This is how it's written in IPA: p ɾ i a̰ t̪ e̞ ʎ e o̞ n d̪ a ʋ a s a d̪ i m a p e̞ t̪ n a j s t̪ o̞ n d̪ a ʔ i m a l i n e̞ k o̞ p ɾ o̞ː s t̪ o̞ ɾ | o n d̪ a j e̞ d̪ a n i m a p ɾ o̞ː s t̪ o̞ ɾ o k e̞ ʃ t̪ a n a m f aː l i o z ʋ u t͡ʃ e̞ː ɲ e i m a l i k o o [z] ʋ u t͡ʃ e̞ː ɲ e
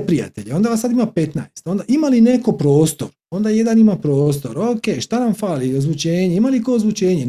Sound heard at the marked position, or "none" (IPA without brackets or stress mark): z